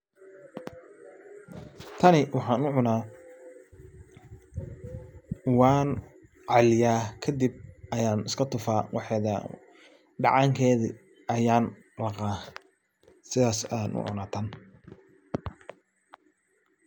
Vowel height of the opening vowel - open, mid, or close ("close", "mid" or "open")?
open